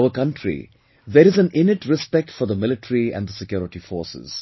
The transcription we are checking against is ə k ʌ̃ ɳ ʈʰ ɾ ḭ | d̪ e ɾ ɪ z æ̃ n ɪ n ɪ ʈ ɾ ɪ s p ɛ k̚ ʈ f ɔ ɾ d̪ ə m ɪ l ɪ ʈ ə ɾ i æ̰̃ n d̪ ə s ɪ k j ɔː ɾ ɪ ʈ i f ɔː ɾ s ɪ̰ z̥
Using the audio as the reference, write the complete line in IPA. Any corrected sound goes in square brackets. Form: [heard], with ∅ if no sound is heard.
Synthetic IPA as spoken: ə k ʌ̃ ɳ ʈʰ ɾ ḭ | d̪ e ɾ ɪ z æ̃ n ɪ n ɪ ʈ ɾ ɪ s p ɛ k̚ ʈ f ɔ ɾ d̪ ə m ɪ l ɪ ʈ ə ɾ i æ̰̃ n d̪ ə s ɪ k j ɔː ɾ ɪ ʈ i f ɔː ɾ s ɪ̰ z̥